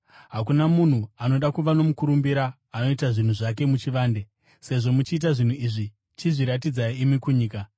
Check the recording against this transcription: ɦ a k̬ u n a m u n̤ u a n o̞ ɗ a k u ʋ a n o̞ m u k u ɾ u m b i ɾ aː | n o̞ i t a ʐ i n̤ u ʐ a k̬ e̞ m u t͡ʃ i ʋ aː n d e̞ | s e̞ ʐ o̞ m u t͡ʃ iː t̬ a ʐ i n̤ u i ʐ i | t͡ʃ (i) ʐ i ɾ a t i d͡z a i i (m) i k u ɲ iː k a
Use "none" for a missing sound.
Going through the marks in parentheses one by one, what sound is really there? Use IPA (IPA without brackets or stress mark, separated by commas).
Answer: i, m